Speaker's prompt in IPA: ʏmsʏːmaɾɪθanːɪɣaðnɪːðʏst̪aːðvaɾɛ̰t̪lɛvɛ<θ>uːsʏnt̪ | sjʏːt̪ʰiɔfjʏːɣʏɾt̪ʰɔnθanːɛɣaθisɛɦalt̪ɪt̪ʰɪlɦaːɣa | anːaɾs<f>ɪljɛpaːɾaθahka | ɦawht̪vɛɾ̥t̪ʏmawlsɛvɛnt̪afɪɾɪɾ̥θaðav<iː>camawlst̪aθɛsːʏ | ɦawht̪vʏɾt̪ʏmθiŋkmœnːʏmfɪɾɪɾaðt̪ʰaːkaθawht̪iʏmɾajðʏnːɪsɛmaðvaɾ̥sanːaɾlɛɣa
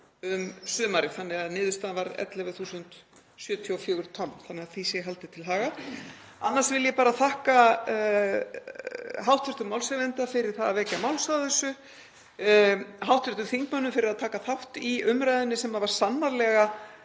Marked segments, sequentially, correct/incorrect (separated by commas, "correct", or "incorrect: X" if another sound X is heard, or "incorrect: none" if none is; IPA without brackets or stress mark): correct, incorrect: v, incorrect: ɛː